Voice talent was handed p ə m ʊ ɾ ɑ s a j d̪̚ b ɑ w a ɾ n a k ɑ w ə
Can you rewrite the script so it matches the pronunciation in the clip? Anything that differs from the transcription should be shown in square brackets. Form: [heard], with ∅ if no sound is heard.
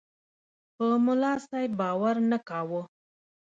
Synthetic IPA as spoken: p ə m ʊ [l] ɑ s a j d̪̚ b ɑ w a ɾ n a k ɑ w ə